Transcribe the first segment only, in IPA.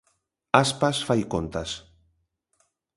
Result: a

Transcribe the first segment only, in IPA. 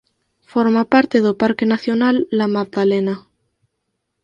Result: f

